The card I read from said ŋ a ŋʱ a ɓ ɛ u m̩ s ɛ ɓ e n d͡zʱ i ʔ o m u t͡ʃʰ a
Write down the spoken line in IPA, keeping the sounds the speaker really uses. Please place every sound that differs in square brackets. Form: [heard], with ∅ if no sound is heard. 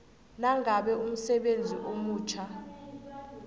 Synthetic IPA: [n] a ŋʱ a ɓ ɛ u m̩ s ɛ ɓ e n d͡zʱ i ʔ o m [uː] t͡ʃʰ a